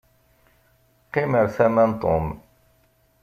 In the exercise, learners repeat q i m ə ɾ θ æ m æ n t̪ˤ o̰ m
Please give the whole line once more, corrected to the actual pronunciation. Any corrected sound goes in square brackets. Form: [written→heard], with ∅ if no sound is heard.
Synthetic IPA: q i m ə ɾ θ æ m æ n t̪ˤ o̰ m